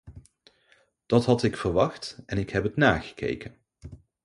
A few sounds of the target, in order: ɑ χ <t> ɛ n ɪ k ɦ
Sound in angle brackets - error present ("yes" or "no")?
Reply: no